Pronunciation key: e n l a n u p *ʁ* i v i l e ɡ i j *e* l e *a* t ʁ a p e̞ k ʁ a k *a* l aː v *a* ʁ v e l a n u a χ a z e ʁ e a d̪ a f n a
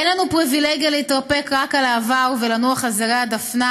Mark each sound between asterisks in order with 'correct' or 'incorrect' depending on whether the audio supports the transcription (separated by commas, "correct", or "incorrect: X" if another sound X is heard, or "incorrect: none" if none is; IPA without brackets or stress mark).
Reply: correct, incorrect: a, incorrect: i, correct, correct